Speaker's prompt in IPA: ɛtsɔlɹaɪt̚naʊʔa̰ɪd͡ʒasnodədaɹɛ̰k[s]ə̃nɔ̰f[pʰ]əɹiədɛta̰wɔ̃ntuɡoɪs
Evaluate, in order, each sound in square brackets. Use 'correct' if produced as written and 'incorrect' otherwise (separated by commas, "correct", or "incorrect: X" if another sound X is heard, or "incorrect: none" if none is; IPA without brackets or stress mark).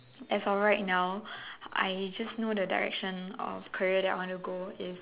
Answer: incorrect: ʃ, incorrect: kʰ